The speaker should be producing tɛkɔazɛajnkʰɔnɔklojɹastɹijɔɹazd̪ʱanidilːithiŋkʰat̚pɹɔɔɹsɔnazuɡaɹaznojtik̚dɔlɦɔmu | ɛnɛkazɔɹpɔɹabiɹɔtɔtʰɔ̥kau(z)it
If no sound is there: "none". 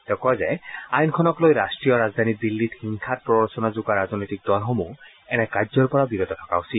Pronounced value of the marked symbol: s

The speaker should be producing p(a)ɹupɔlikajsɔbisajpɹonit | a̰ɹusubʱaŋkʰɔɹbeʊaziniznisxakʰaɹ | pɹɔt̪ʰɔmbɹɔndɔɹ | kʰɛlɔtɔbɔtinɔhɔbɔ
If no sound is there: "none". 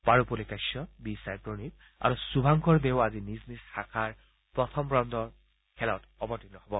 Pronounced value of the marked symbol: a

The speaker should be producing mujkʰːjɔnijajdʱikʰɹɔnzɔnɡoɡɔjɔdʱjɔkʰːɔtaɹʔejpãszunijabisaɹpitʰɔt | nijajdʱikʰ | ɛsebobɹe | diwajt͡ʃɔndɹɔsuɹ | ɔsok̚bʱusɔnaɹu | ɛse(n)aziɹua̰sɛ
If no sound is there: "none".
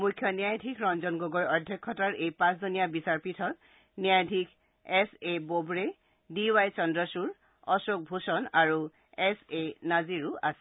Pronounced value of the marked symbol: n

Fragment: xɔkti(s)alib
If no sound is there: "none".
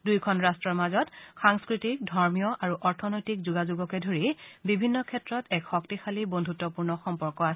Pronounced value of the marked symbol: x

